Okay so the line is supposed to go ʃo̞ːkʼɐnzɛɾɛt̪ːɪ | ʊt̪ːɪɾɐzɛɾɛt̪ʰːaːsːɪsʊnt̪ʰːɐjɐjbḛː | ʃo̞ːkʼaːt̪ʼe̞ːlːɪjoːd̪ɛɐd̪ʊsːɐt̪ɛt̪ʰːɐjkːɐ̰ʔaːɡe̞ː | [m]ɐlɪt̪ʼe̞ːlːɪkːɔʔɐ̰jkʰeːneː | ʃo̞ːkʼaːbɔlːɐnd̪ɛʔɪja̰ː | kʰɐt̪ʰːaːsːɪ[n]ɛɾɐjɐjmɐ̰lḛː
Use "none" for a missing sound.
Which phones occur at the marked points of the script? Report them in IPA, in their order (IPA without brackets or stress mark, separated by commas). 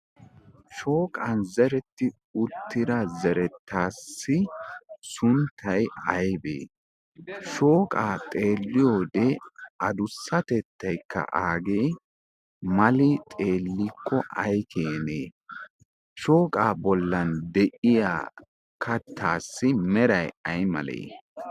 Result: m, m